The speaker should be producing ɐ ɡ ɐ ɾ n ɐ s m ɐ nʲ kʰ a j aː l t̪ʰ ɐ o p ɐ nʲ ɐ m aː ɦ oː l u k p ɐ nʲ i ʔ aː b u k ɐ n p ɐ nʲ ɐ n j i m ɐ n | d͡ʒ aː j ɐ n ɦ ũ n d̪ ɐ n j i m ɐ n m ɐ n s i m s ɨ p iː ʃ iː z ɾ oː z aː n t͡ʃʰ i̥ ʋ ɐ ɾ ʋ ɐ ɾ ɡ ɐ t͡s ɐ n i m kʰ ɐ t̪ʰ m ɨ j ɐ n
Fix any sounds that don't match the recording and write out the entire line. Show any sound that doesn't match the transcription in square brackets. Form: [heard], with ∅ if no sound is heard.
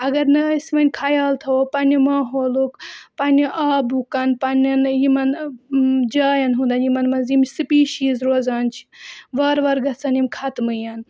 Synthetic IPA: ɐ ɡ ɐ ɾ n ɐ s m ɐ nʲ kʰ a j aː l t̪ʰ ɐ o p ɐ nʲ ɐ m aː ɦ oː l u k p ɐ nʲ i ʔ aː b u k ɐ n p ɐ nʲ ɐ n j i m ɐ n | d͡ʒ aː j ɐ n ɦ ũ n d̪ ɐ n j i m ɐ n m ɐ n [z] i m s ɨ p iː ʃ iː z ɾ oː z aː n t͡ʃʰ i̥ ʋ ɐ ɾ ʋ ɐ ɾ ɡ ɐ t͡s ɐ n i m kʰ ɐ [t̪] m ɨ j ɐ n